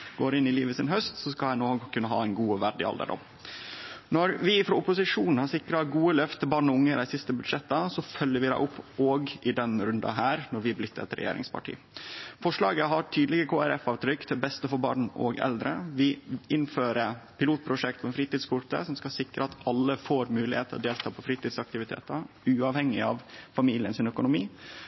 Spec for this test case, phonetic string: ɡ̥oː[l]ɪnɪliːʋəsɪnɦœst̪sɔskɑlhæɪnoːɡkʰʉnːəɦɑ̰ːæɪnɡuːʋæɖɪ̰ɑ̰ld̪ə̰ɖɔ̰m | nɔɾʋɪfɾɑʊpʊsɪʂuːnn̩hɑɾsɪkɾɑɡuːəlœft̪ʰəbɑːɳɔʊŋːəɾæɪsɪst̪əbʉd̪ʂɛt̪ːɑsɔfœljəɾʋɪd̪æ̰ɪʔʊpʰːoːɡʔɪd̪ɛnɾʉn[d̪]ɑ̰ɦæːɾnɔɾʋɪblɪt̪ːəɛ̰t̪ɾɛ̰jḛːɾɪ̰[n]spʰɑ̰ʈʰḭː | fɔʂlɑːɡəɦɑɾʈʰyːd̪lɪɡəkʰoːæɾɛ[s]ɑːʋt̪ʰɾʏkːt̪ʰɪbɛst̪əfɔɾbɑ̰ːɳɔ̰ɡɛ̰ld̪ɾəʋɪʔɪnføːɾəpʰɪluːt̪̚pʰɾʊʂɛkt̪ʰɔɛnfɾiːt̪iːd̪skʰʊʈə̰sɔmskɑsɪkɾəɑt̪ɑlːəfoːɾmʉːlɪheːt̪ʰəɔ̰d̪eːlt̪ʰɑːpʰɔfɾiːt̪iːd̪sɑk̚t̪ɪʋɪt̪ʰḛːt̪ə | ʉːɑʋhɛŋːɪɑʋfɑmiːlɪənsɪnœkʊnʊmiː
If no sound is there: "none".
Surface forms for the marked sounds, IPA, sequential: ɾ, d̪, ŋ, f

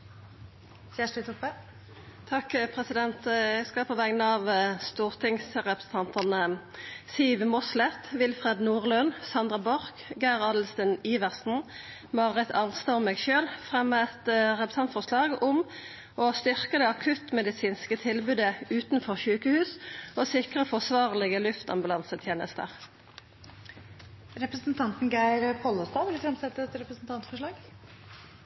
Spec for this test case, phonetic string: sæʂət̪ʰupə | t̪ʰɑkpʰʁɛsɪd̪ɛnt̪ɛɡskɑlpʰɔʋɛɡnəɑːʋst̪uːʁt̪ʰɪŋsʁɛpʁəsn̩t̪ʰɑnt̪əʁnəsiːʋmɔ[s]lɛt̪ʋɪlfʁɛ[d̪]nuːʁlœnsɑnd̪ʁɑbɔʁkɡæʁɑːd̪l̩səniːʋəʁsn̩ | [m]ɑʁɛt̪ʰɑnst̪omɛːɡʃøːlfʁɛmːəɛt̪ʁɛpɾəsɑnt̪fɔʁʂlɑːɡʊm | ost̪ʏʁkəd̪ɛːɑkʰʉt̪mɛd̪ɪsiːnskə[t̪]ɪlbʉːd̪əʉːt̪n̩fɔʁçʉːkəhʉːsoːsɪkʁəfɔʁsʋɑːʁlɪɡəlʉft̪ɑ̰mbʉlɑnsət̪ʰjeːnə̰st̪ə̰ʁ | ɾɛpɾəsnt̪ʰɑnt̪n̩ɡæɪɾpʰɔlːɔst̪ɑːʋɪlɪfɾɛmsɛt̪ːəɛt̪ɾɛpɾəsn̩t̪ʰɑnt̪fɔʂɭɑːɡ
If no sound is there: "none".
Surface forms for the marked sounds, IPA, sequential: s, d̪, m, t̪ʰ

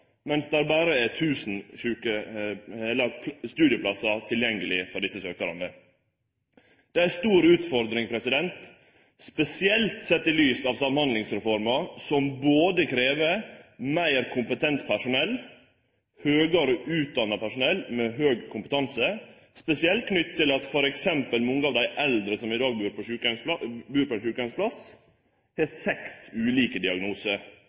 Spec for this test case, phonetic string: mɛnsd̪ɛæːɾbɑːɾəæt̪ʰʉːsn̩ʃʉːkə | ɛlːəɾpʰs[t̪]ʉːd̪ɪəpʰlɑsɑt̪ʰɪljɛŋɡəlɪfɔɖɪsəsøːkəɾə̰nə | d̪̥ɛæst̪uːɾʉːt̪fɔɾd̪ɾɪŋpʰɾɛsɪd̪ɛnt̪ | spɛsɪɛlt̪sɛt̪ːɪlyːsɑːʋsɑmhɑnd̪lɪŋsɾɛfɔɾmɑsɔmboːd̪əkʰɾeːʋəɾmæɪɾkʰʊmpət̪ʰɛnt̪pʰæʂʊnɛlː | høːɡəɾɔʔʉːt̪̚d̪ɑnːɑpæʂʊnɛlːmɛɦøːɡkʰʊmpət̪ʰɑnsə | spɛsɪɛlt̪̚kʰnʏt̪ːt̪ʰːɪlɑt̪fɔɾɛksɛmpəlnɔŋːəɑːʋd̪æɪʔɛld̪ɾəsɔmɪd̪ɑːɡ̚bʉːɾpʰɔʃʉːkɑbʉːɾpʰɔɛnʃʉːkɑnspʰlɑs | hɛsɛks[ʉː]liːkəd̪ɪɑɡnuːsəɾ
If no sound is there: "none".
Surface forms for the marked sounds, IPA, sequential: t̪, ʉː

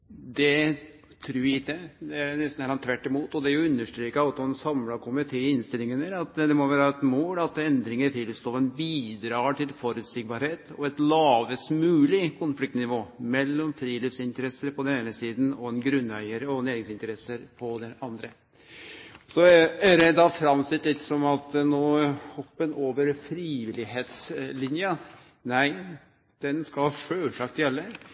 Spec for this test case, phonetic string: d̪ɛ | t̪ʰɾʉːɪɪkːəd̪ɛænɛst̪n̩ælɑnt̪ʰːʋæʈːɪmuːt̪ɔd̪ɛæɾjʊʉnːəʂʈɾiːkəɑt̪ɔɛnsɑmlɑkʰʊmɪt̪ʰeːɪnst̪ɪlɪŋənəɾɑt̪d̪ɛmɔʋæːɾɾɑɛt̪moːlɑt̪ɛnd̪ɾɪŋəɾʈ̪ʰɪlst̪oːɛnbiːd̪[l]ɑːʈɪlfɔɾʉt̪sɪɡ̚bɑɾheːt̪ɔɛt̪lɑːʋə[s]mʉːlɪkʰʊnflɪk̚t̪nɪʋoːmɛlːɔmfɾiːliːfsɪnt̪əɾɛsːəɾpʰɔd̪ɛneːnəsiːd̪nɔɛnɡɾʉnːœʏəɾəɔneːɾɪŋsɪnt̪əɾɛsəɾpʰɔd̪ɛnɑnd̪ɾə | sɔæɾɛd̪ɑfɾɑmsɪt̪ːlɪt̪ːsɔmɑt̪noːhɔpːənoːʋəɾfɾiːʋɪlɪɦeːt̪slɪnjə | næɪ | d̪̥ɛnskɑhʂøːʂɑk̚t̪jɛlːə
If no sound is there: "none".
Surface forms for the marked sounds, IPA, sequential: ɾ, s

